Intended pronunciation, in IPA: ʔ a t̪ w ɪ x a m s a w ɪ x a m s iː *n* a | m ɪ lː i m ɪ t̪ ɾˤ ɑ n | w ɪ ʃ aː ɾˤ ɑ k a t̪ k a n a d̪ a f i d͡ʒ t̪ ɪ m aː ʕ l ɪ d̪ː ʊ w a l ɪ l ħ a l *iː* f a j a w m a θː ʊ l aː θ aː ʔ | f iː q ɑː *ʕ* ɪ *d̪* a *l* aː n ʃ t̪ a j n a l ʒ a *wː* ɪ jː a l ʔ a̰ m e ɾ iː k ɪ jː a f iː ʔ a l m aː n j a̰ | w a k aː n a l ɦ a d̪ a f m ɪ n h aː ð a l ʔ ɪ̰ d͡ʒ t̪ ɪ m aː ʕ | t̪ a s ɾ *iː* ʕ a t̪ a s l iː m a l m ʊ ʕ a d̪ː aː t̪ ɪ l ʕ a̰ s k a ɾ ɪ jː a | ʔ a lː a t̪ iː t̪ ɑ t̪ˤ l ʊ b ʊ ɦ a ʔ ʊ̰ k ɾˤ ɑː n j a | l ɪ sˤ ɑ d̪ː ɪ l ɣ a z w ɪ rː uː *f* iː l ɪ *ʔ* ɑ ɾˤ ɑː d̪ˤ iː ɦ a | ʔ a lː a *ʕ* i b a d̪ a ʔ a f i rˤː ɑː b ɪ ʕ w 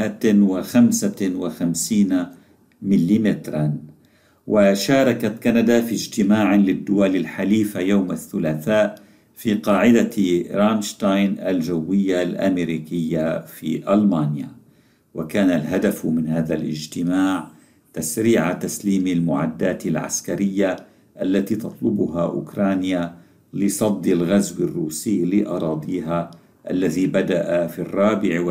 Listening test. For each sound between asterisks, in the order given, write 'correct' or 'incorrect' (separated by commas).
correct, correct, correct, correct, incorrect, correct, correct, incorrect, correct, incorrect